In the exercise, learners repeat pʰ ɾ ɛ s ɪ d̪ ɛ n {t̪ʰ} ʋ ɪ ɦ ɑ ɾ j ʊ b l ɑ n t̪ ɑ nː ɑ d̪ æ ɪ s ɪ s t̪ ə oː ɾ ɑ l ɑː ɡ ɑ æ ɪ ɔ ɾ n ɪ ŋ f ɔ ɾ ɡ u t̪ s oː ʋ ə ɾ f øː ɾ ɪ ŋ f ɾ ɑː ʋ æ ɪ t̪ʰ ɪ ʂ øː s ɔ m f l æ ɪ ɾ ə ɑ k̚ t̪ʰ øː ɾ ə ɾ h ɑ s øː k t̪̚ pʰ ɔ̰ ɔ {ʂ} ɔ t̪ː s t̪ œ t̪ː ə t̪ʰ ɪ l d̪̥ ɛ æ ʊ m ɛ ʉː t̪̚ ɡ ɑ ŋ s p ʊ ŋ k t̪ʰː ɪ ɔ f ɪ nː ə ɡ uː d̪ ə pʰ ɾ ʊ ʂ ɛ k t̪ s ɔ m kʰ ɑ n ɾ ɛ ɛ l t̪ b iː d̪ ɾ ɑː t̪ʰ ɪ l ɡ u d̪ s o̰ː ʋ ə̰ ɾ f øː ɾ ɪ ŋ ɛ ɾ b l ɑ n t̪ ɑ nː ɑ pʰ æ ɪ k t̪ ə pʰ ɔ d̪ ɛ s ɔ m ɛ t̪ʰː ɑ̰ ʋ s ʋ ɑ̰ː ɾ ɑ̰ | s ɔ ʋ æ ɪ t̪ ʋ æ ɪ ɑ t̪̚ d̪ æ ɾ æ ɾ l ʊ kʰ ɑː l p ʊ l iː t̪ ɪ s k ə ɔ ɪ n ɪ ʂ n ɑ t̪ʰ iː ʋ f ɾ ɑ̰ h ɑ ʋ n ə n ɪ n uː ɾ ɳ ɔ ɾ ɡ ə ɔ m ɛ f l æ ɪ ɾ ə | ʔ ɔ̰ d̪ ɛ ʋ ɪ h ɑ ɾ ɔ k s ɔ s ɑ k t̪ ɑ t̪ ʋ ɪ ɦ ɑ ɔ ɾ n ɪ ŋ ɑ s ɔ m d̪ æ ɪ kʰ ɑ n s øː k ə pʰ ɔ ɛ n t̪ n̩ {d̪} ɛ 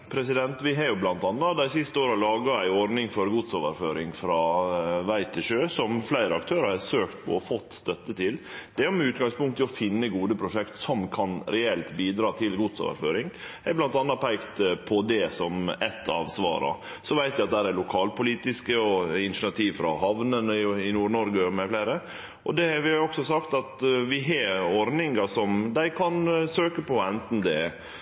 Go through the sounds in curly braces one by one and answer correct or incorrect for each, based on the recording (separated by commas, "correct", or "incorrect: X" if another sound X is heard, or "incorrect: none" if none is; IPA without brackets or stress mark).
incorrect: t̪, incorrect: f, correct